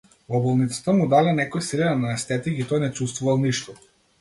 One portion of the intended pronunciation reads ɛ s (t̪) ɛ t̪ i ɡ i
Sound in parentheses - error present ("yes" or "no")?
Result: no